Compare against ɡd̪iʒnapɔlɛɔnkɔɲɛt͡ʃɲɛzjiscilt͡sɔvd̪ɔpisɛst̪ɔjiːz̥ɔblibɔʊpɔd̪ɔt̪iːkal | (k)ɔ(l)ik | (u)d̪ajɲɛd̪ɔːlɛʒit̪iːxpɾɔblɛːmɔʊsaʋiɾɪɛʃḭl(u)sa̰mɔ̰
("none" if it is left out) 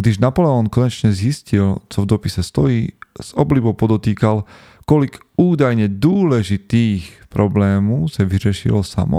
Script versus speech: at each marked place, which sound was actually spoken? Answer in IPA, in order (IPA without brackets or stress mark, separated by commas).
k, l, uː, ɔ